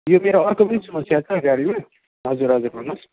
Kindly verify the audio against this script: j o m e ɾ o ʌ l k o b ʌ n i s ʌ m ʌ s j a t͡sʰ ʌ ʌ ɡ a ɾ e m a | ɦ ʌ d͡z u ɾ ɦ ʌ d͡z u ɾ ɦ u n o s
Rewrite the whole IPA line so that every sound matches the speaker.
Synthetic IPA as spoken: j o m e ɾ o ʌ r k o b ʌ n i s ʌ m ʌ s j a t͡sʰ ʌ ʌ ɡ a ɾ i m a | ɦ ʌ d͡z u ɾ ɦ ʌ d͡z u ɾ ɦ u n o s